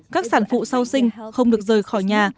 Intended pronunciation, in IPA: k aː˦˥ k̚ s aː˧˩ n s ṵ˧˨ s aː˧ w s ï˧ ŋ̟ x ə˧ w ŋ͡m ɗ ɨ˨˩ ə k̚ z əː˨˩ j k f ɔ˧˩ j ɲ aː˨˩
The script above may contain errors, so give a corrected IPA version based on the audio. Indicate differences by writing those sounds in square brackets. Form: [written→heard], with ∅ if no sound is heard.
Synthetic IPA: k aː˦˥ k̚ s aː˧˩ n [s→f] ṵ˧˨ s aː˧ w s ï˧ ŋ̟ x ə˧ w ŋ͡m ɗ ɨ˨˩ ə k̚ z əː˨˩ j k [f→x] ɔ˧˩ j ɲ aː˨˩